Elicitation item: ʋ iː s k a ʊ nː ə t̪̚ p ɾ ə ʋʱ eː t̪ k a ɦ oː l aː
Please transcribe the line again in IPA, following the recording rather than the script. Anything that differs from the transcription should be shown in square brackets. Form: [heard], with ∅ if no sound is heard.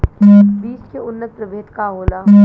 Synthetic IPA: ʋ iː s k [e] ʊ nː ə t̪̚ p ɾ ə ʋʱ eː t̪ k a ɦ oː l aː